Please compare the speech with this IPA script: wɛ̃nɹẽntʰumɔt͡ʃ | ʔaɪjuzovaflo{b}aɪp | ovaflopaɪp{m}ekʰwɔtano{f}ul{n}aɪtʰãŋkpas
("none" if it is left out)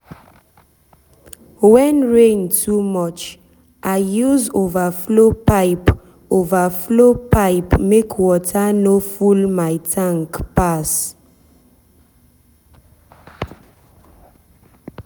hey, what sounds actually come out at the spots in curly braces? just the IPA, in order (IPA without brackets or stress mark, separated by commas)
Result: p, m, f, m